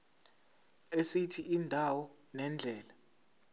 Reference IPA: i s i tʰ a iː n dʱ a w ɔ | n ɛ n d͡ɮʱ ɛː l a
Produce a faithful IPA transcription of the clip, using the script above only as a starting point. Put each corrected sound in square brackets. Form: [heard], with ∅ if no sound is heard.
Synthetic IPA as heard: [e] s i tʰ [i] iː n dʱ a w ɔ | n ɛ n d͡ɮʱ ɛː l a